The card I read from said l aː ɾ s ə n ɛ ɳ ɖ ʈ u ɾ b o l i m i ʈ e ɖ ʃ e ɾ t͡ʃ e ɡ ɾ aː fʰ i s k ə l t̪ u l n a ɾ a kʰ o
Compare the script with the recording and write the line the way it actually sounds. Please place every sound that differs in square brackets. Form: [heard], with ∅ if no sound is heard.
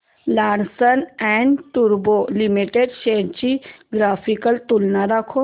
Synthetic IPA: l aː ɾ s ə n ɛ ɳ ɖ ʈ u ɾ b o l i m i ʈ e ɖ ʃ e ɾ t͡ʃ [i] ɡ ɾ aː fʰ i [∅] k ə l t̪ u l n a ɾ a kʰ o